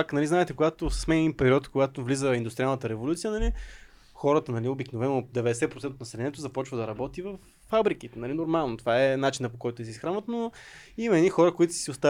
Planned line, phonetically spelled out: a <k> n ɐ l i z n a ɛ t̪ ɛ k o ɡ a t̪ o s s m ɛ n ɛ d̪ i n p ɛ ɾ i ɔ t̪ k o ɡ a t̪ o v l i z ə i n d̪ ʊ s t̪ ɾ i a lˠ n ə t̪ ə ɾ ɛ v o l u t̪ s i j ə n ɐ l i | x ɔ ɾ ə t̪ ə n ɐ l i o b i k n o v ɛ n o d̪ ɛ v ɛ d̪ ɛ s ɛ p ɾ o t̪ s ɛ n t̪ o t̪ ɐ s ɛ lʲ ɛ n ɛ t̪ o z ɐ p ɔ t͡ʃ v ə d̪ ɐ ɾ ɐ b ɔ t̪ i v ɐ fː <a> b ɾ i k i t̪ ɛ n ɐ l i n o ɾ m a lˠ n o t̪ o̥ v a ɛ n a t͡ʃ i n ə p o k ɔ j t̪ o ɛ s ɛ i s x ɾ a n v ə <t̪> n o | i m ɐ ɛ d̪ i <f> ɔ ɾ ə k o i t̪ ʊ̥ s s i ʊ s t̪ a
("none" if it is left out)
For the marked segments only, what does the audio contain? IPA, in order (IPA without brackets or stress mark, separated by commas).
k, a, t̪, x